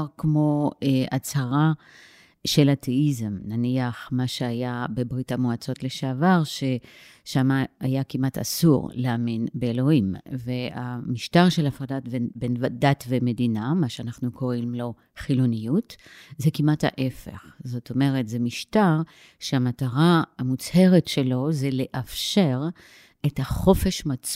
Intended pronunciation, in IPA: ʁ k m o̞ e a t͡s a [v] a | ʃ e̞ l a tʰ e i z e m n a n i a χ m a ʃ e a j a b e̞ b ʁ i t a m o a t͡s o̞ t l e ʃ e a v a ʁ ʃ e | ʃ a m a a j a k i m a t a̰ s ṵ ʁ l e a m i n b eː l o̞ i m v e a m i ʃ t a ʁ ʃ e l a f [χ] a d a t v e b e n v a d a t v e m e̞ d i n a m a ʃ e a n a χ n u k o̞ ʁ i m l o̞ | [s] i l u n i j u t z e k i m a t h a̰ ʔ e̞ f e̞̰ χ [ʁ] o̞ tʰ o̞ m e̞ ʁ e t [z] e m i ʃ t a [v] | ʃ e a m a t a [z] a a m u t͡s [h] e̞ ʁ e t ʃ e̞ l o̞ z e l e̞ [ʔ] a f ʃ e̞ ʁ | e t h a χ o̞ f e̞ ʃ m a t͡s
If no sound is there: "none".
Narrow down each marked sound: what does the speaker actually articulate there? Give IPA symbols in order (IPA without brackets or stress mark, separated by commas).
ʁ, ʁ, χ, z, z, ʁ, ʁ, h, ʔ